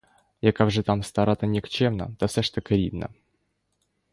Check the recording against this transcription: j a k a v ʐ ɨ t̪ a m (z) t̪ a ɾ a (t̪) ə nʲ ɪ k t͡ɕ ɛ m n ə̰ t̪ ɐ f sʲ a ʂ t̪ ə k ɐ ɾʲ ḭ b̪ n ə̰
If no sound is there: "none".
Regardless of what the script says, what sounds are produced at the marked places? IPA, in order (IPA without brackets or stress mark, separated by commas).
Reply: s, t̪